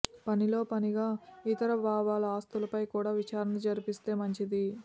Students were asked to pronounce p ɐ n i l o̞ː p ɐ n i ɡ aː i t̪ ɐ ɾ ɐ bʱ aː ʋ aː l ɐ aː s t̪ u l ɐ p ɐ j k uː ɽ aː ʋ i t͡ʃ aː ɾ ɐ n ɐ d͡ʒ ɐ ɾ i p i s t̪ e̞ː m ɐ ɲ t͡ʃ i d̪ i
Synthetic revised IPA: p ɐ n i l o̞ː p ɐ n i ɡ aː i t̪ ɐ ɾ ɐ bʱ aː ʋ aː l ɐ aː s t̪ u l ɐ p ɐ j k uː ɽ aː ʋ i t͡ʃ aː ɾ ɐ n ɐ d͡ʒ ɐ ɾ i p i s t̪ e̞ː m ɐ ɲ t͡ʃ i d̪ i